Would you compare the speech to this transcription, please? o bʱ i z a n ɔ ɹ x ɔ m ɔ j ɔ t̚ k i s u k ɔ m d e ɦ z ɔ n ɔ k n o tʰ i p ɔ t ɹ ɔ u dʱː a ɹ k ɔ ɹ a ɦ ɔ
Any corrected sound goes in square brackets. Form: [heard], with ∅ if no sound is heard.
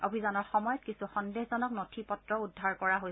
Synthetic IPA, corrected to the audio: o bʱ i z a n ɔ ɹ x ɔ m ɔ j ɔ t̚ k i s u [x] ɔ [n] d e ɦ z ɔ n ɔ k n o tʰ i p ɔ t ɹ ɔ u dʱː a ɹ k ɔ ɹ a ɦ [o]